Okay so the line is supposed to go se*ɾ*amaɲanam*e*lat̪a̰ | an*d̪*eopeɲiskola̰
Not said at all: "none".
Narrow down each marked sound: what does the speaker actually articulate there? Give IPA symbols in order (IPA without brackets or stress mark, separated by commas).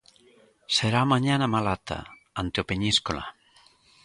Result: ɾ, a, t̪